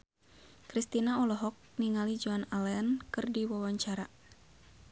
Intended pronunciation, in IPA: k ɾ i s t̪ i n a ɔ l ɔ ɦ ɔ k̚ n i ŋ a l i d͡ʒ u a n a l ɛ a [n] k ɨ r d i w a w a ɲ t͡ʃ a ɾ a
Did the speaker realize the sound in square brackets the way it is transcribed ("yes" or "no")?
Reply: yes